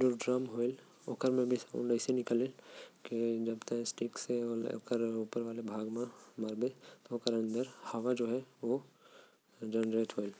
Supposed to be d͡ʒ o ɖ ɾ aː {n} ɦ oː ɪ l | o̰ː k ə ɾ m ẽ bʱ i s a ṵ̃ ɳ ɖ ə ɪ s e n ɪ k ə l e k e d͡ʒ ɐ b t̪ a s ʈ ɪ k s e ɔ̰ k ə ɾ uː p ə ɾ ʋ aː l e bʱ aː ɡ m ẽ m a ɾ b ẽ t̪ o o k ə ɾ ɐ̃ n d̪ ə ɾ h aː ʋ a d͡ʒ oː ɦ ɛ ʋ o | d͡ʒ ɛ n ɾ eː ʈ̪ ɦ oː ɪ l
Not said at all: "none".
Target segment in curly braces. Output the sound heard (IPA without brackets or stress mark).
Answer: m